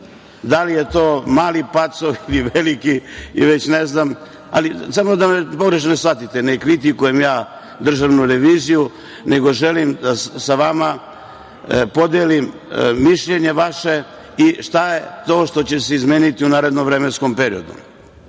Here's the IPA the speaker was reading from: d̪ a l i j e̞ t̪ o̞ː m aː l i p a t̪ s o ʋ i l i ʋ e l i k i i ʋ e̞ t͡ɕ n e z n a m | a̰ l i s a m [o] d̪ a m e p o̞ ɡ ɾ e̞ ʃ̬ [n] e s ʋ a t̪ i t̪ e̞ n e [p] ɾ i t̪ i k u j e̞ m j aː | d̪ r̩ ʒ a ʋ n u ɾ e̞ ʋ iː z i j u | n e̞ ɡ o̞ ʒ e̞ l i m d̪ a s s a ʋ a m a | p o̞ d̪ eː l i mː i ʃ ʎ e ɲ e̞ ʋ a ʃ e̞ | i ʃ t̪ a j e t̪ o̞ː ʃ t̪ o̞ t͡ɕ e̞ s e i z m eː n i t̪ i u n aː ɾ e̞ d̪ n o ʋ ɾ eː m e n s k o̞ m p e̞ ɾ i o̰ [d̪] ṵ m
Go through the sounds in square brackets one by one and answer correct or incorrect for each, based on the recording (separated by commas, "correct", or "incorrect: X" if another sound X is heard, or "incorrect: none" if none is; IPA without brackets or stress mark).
correct, correct, incorrect: k, correct